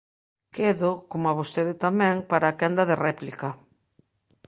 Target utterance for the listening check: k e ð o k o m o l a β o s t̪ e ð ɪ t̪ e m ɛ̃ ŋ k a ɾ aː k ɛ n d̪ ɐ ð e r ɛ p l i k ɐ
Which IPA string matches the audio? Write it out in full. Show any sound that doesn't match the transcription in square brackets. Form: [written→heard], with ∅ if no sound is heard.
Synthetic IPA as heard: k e ð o k o m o [l→∅] a β o s t̪ e ð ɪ t̪ [e→a] m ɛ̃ ŋ [k→p] a ɾ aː k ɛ n d̪ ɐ ð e r ɛ p l i k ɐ